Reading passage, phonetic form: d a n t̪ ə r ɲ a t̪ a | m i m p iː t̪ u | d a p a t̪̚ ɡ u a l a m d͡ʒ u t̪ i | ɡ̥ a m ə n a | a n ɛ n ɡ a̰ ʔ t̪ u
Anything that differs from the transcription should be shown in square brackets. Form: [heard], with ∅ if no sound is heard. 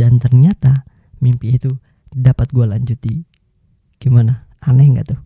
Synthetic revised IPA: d a n t̪ ə r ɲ a t̪ a | m i m p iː t̪ u | d a p a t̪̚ ɡ u a l a [ɲ] d͡ʒ u t̪ i | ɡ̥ [i] m [a] n a | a n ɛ [ŋ] ɡ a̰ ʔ t̪ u